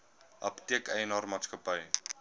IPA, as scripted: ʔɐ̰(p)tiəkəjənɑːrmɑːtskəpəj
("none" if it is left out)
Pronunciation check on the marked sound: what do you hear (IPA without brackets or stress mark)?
p